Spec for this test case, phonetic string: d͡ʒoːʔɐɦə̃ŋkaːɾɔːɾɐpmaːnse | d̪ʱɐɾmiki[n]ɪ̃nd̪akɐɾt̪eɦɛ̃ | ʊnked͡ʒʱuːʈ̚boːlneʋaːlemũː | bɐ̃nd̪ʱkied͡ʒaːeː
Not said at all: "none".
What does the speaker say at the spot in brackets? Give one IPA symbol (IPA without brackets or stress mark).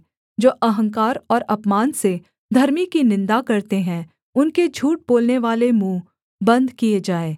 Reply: n